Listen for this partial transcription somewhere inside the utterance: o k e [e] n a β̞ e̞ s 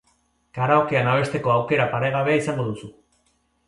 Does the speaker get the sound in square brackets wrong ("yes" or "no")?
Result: yes